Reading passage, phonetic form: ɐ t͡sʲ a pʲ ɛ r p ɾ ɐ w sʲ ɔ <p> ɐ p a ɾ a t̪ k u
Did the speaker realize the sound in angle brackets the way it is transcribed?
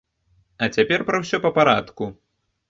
yes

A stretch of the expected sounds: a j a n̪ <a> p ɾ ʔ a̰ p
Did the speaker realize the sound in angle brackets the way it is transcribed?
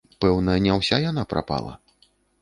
yes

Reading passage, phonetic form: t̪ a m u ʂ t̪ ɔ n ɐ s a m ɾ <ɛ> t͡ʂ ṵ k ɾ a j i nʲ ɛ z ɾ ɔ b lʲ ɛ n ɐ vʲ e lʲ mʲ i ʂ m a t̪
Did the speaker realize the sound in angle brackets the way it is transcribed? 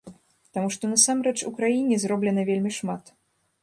yes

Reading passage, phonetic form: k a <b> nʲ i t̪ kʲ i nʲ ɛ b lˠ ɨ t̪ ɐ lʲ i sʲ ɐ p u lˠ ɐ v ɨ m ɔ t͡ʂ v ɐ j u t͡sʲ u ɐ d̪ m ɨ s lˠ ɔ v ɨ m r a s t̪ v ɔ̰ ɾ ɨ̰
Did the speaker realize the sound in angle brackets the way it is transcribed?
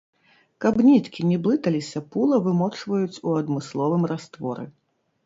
yes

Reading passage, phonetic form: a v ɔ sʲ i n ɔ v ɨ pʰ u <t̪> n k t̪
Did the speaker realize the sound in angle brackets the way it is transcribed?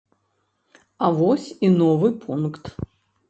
no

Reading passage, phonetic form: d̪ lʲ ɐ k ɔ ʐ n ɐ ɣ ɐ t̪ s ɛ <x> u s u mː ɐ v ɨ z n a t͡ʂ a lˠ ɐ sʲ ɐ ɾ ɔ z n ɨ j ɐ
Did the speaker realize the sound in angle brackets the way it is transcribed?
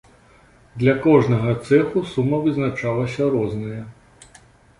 yes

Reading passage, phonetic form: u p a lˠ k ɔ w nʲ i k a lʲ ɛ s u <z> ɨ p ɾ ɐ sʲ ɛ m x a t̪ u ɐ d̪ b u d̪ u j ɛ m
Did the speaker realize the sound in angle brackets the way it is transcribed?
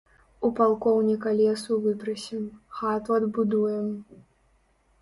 no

